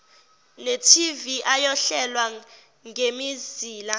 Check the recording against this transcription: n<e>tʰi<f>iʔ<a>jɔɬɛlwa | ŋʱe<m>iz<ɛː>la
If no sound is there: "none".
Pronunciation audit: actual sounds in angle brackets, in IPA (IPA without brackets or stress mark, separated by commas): e, v, a, m, iː